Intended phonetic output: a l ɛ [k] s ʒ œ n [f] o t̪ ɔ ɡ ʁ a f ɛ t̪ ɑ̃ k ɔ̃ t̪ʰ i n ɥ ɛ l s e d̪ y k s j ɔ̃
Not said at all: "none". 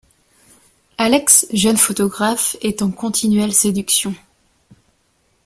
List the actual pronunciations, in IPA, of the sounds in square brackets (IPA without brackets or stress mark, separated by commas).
k, f